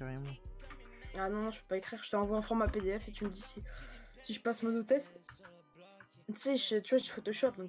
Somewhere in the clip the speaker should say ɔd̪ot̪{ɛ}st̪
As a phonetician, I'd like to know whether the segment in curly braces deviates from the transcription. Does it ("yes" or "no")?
no